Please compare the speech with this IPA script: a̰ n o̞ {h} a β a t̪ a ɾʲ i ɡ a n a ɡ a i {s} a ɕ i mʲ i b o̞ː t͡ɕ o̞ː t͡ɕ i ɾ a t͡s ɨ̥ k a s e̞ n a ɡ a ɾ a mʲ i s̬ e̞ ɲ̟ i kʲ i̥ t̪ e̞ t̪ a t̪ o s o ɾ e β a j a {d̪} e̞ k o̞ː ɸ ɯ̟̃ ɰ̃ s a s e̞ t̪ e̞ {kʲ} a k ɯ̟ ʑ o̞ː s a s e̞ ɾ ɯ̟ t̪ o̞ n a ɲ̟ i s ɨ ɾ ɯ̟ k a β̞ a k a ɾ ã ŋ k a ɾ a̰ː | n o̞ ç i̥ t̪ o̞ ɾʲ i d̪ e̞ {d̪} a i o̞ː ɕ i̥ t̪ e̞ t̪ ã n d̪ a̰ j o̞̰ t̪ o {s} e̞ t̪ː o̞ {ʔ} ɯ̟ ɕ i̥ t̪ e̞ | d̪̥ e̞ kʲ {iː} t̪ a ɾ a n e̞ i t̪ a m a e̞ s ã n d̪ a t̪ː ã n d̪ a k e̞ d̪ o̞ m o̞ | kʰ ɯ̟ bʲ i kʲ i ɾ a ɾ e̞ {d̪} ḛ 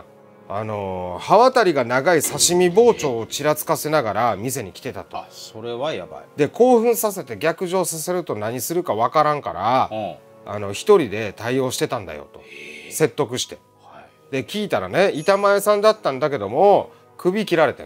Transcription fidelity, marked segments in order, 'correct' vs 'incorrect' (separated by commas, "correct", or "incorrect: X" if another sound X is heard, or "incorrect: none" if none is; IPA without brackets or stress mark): correct, correct, correct, incorrect: ɡʲ, incorrect: t̪, correct, incorrect: k, correct, incorrect: t̪